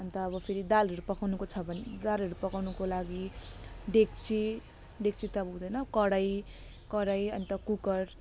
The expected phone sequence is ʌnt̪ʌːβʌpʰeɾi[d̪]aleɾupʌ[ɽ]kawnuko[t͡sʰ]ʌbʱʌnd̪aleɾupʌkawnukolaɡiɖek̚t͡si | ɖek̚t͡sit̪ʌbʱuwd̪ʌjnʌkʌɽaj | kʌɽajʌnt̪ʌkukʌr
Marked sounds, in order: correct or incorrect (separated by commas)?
correct, incorrect, correct